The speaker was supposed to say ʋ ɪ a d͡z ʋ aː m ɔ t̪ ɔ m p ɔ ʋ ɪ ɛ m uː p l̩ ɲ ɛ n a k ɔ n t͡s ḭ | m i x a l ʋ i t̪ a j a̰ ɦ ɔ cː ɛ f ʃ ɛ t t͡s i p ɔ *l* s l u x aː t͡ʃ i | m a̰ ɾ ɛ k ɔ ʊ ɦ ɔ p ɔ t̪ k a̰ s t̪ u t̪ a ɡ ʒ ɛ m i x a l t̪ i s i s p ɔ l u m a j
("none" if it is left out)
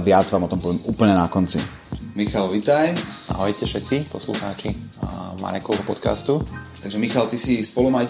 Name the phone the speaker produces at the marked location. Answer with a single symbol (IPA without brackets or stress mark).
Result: none